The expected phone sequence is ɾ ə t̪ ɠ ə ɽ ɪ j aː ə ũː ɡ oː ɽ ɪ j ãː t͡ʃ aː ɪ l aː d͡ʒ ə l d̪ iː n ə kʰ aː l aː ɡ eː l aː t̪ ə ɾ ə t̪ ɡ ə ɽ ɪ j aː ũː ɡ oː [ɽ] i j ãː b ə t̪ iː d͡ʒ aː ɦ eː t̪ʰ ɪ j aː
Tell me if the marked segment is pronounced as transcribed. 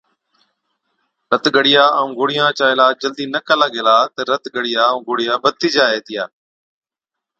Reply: yes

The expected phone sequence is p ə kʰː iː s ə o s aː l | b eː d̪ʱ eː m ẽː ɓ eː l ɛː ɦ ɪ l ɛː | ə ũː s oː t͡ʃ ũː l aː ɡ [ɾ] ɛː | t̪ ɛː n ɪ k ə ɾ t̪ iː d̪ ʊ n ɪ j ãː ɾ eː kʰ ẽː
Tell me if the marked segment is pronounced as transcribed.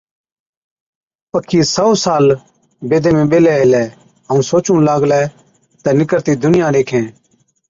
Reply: no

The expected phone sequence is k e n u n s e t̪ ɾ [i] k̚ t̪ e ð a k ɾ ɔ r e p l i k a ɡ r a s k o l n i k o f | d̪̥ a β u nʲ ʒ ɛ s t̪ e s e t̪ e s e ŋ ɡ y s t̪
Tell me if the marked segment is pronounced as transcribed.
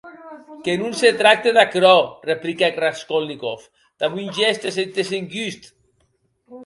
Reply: no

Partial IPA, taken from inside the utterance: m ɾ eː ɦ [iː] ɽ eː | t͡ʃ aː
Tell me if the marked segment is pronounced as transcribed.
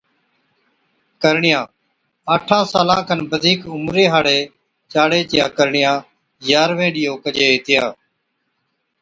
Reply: no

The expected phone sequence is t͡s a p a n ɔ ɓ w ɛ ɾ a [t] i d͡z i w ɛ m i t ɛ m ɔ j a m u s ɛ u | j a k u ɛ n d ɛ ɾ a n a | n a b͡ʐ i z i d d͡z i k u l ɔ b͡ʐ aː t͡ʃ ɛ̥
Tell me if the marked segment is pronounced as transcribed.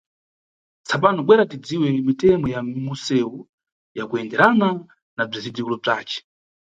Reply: yes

